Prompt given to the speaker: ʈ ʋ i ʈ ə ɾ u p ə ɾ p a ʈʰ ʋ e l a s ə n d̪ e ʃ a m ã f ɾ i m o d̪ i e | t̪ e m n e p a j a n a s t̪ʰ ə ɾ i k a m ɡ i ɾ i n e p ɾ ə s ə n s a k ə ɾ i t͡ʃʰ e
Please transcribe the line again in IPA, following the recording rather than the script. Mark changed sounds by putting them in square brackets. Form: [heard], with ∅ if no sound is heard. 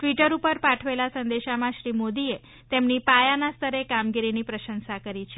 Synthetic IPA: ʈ ʋ i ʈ ə ɾ u p ə ɾ p a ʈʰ ʋ e l a s ə n d̪ e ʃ a m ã [ʃ] ɾ i m o d̪ i e | t̪ e m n [i] p a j a n a s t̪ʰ ə ɾ [e] k a m ɡ i ɾ i n [i] p ɾ ə [ʃ] ə n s a k ə ɾ i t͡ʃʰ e